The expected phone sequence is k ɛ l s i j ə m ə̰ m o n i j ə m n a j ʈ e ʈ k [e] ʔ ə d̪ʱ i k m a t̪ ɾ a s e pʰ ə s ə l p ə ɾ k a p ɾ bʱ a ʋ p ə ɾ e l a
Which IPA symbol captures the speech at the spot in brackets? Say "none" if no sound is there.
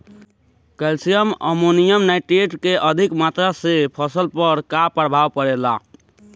e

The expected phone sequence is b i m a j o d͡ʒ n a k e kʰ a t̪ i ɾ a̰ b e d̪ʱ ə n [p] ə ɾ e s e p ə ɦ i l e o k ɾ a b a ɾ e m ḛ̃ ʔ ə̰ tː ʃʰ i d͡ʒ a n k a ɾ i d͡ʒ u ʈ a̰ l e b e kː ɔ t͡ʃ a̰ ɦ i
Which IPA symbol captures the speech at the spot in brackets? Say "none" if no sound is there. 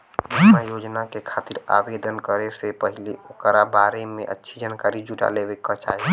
k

